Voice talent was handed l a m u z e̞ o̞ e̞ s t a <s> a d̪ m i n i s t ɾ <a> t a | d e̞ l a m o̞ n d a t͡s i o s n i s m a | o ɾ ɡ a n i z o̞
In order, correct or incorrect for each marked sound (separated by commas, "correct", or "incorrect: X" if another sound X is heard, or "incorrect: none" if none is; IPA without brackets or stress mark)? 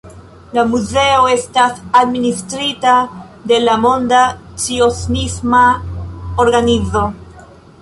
correct, incorrect: i